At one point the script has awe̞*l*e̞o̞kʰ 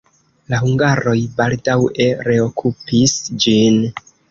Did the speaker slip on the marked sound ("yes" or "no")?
yes